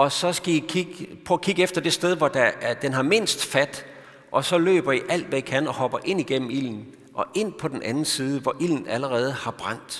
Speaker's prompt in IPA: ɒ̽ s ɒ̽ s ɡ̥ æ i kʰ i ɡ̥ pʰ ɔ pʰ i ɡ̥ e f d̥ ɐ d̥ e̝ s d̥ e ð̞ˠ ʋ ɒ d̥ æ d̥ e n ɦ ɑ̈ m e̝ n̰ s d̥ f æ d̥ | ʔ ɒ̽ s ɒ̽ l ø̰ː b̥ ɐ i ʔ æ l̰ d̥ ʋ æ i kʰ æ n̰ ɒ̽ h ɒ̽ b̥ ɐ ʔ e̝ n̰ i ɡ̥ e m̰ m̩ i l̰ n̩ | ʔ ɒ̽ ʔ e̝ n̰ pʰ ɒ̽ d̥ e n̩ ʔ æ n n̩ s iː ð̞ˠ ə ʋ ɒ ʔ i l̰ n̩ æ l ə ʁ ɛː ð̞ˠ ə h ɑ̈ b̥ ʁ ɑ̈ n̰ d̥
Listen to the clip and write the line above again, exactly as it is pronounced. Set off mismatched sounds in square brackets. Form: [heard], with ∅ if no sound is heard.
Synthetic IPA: ɒ̽ s ɒ̽ s ɡ̥ æ i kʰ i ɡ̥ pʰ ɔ [kʰ] i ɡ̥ e f d̥ ɐ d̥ e̝ s d̥ e ð̞ˠ ʋ ɒ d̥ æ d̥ e n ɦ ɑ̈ m e̝ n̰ s d̥ f æ d̥ | ʔ ɒ̽ s ɒ̽ l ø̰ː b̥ ɐ i ʔ æ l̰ d̥ ʋ æ i kʰ æ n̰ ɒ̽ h ɒ̽ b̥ ɐ ʔ e̝ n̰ i ɡ̥ e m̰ m̩ i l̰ n̩ | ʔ ɒ̽ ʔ e̝ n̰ pʰ ɒ̽ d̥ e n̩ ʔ æ n n̩ s iː ð̞ˠ ə ʋ ɒ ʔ i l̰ n̩ æ l ə ʁ ɛː ð̞ˠ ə h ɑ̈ b̥ ʁ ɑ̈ n̰ d̥